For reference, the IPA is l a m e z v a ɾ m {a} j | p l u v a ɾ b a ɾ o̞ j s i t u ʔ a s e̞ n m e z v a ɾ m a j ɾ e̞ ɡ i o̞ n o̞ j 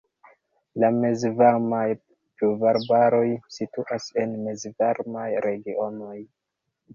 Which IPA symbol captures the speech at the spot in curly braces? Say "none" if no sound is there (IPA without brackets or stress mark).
a